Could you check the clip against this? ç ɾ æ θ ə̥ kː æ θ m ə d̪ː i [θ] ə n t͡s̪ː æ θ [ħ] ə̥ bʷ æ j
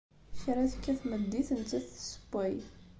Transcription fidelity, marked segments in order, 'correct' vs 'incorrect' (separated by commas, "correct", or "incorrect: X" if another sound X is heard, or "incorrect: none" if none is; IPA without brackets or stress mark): correct, incorrect: s